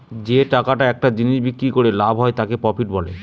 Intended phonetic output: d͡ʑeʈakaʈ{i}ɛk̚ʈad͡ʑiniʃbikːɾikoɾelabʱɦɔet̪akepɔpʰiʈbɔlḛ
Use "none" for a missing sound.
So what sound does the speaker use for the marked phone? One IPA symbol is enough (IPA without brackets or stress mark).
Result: a